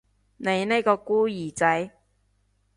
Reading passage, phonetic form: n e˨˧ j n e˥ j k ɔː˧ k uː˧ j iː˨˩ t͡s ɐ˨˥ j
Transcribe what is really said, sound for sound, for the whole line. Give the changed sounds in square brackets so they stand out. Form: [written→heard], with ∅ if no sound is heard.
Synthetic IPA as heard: n e˨˧ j n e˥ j k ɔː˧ k [uː˧→uː˥] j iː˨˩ t͡s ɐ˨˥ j